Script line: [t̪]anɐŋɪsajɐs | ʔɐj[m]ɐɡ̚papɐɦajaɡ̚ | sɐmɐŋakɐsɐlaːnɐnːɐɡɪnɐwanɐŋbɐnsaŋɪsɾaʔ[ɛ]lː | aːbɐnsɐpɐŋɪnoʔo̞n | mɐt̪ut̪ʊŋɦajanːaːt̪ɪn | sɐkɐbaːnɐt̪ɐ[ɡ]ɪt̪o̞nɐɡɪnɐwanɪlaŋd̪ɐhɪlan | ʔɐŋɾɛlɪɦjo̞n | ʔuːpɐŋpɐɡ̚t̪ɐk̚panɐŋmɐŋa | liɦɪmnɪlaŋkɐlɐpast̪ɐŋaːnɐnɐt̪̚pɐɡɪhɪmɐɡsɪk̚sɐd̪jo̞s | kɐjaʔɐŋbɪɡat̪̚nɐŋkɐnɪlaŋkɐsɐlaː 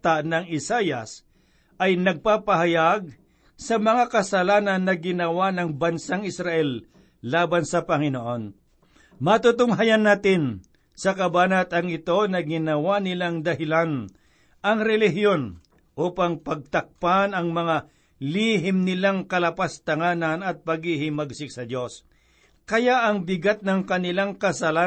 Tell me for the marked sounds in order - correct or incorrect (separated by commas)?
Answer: correct, incorrect, correct, incorrect